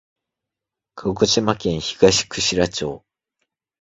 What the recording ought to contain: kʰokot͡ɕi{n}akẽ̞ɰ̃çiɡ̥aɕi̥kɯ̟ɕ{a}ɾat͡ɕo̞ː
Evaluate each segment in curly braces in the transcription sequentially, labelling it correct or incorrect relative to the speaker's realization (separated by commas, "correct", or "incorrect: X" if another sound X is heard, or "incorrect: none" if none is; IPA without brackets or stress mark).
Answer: incorrect: m, incorrect: i